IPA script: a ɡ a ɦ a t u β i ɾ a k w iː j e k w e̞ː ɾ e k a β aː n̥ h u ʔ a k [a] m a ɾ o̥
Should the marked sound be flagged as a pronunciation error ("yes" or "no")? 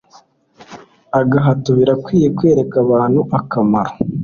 no